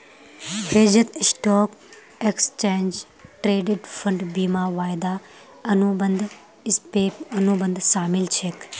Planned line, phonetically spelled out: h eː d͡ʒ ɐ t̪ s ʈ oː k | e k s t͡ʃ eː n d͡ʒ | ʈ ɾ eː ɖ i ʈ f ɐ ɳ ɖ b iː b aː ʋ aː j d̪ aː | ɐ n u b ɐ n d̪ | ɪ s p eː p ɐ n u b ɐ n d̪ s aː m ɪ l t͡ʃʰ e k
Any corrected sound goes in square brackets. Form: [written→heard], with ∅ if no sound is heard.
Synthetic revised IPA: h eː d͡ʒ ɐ t̪ s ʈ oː k | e k s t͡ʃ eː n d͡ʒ | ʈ ɾ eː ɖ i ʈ f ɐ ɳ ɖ b iː [b→m] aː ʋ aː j d̪ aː | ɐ n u b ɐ n d̪ | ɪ s p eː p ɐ n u b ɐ n d̪ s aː m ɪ l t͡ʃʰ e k